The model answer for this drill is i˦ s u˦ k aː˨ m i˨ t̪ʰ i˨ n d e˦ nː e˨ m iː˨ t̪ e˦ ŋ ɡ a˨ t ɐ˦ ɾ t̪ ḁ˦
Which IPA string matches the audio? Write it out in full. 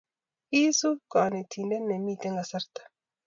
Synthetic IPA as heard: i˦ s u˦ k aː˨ n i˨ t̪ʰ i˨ n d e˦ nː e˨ m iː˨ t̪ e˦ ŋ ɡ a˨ s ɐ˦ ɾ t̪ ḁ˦